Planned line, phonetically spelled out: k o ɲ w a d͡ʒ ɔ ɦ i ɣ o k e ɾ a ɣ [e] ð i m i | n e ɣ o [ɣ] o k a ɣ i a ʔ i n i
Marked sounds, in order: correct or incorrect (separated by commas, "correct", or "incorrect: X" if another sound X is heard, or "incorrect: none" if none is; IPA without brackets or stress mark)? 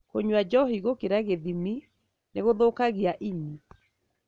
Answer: correct, incorrect: ð